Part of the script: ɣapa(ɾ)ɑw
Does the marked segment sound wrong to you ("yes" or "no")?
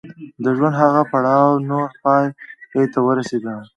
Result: yes